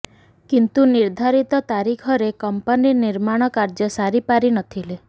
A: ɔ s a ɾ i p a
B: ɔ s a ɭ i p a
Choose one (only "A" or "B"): A